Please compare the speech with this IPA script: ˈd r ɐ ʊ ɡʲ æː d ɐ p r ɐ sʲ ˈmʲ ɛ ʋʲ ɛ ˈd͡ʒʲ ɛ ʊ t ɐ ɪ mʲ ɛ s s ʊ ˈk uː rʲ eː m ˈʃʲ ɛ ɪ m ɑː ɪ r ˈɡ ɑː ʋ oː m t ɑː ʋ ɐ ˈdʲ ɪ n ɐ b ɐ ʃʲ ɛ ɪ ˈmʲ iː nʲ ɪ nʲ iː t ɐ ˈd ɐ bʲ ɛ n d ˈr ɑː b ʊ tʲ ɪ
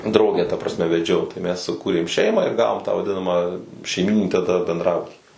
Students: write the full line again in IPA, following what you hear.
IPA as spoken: ˈd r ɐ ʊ ɡʲ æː t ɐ p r ɐ sʲ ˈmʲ ɛ ʋʲ ɛ ˈd͡ʒʲ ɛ ʊ t ɐ ɪ mʲ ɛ s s ʊ ˈk uː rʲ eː m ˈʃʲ ɛ ɪ m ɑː ɪ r ˈɡ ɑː ʋ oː m t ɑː ʋ ɐ ˈdʲ ɪ n ɐ m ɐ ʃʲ ɛ ɪ ˈmʲ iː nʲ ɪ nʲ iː t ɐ ˈd ɐ bʲ ɛ n d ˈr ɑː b ʊ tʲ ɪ